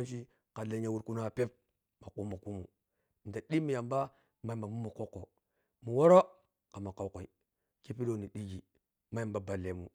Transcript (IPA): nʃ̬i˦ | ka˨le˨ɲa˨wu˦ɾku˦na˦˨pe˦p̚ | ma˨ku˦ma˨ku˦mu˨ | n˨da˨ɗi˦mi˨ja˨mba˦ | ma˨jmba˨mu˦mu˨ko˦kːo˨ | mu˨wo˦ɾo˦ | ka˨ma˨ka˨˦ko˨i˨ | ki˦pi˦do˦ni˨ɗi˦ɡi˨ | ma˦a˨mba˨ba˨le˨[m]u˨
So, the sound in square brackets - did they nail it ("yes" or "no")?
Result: yes